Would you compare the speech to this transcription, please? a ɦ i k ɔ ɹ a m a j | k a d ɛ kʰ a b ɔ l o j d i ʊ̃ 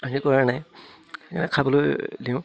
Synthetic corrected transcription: a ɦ i k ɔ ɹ a n a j | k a n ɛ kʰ a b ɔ l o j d i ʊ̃